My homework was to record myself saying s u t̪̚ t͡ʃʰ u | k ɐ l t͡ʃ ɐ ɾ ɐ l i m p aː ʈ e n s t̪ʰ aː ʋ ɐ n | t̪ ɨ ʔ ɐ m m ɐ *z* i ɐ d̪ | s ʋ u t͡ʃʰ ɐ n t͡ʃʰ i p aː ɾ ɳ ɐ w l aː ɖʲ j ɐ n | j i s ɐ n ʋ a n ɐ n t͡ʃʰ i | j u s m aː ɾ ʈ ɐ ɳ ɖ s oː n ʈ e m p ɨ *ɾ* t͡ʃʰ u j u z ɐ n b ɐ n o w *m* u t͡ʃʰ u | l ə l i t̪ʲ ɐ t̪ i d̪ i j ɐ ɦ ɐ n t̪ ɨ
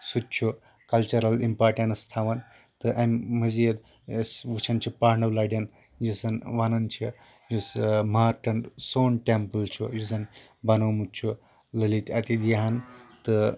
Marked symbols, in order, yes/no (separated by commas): yes, no, yes